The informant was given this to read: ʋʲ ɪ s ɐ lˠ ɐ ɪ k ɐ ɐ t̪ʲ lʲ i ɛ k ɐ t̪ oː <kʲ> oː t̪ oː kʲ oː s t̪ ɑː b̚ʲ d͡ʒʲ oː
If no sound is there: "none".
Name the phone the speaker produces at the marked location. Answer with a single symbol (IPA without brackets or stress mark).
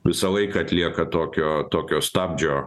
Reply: kʲ